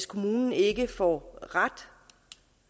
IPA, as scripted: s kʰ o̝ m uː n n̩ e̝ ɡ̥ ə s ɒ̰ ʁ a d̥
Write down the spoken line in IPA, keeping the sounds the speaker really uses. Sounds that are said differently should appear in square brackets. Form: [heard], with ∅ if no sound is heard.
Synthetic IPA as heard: s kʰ o̝ m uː n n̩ e̝ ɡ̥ ə [f] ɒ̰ ʁ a d̥